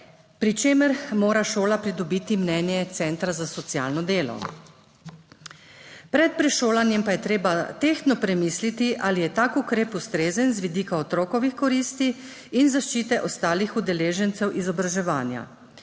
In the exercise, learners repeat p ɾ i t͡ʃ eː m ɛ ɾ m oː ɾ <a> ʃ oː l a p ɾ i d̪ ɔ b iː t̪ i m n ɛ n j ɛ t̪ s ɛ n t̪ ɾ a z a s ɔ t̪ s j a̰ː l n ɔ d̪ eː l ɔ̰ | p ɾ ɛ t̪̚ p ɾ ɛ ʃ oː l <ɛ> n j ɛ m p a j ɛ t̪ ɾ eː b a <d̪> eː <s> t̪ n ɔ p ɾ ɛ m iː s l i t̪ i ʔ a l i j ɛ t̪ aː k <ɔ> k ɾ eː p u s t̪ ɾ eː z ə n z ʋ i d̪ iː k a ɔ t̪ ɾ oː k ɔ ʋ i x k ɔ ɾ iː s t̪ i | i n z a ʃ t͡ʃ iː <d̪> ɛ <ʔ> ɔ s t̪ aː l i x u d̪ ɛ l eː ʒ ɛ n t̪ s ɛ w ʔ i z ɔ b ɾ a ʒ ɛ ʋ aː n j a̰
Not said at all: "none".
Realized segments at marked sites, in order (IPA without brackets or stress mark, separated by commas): a, a, t̪, x, u, t̪, ʔ